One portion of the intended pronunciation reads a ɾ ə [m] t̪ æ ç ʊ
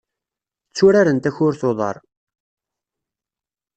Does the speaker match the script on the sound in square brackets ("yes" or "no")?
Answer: no